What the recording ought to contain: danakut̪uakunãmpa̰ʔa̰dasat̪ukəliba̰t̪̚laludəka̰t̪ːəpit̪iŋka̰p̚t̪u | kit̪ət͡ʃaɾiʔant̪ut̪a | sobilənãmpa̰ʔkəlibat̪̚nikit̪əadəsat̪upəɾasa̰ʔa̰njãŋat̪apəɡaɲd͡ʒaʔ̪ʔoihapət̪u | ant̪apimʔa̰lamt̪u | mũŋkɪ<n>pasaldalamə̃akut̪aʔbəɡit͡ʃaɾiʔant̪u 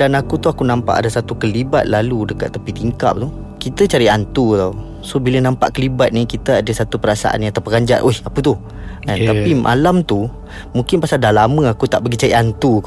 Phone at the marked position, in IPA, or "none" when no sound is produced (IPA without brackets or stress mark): n